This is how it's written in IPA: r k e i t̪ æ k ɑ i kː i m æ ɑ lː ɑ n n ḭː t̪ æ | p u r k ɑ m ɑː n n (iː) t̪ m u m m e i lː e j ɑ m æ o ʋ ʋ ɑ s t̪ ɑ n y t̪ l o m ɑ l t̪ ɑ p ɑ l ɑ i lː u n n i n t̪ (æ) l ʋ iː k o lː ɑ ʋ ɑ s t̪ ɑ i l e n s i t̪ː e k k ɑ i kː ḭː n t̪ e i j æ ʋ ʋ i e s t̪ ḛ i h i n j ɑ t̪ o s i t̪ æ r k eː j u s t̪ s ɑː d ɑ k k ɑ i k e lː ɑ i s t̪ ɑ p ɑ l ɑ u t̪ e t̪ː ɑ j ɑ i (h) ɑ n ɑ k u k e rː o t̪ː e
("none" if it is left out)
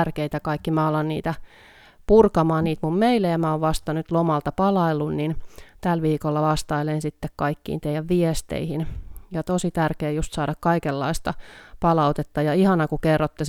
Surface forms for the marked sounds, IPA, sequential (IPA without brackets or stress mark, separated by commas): iː, æ, h